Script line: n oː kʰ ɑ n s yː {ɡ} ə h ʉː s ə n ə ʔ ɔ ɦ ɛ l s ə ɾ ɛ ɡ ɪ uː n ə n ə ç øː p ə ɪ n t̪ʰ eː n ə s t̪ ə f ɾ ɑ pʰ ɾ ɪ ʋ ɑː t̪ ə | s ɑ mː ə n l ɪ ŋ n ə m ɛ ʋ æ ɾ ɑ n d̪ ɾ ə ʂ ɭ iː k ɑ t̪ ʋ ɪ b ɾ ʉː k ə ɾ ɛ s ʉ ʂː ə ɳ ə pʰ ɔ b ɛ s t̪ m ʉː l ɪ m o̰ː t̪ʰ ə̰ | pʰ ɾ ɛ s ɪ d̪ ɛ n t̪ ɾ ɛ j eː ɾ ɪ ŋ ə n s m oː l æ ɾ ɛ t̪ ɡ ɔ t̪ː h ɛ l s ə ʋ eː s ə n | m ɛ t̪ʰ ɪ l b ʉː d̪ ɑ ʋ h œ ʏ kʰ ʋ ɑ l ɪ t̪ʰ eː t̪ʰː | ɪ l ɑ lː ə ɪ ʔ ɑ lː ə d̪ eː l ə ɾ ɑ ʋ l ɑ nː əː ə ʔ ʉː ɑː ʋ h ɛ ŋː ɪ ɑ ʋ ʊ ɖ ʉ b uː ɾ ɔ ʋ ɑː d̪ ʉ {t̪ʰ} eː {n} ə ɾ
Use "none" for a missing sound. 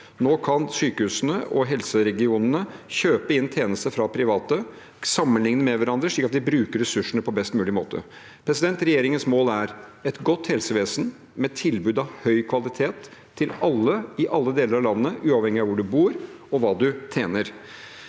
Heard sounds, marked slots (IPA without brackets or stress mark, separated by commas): k, t̪ʰ, n